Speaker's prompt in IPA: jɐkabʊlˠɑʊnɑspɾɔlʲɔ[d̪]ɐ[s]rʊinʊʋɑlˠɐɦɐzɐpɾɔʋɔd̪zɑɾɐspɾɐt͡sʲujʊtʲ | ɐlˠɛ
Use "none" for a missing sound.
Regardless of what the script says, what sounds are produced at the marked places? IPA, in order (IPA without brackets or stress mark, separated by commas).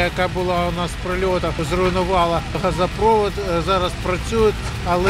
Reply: t̪, z